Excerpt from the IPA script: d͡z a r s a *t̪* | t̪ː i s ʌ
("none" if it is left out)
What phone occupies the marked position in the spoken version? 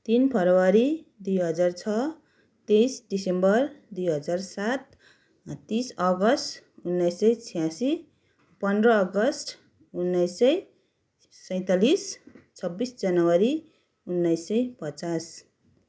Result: t̪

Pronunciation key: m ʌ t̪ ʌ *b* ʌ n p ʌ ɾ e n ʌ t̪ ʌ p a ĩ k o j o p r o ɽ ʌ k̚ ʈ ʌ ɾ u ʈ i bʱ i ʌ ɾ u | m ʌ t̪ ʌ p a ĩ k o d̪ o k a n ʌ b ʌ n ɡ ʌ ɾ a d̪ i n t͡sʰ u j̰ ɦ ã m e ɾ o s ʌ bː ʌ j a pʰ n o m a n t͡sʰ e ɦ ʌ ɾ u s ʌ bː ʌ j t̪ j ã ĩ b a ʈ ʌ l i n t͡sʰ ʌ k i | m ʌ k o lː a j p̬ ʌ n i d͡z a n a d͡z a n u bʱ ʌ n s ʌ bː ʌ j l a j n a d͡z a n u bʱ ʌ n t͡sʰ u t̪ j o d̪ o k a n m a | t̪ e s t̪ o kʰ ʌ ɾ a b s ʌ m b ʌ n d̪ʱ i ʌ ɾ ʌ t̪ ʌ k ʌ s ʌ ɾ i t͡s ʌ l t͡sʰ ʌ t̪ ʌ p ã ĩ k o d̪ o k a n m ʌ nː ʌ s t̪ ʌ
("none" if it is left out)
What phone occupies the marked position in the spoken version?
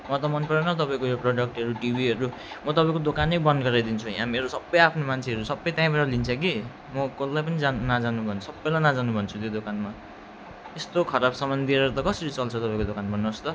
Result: m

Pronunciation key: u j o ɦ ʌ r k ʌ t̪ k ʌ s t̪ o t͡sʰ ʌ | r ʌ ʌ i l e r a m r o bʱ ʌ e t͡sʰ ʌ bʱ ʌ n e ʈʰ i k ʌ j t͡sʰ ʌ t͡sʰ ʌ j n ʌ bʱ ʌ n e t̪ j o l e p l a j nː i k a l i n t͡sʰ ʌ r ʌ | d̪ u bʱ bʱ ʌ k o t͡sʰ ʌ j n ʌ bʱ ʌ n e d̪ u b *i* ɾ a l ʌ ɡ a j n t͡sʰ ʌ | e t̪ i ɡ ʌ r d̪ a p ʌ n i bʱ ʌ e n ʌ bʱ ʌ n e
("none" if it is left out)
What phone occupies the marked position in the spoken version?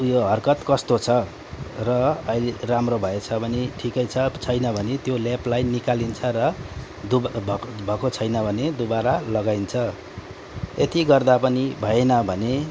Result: a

